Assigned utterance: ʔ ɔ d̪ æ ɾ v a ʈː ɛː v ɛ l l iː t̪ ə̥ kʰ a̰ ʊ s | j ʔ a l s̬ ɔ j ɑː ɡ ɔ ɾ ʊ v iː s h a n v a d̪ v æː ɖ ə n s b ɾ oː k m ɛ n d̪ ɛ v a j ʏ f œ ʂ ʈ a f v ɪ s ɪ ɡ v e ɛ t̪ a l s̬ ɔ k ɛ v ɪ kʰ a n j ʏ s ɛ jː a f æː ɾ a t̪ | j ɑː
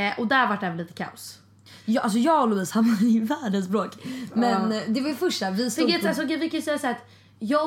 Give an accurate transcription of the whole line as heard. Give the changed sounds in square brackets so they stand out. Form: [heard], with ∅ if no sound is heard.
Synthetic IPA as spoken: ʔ ɔ d̪ æ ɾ v a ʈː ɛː v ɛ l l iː t̪ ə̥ kʰ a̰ ʊ s | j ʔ a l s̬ ɔ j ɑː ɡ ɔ [l] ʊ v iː s h a n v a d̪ v æː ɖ ə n s b ɾ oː k m ɛ n d̪ ɛ v a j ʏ f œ ʂ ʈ a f v ɪ s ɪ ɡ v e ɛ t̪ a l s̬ ɔ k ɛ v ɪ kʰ a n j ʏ s ɛ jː a [s] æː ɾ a t̪ | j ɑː